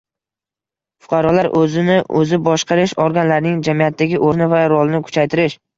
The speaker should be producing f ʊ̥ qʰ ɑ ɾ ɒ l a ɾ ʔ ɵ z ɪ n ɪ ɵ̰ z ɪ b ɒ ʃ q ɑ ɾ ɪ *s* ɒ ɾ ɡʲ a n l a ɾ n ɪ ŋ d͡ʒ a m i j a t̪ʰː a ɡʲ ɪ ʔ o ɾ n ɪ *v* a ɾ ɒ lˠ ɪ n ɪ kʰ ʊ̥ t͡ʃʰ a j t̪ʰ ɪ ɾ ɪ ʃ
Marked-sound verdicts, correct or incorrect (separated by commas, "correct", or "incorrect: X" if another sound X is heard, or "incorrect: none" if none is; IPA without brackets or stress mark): incorrect: ʃ, correct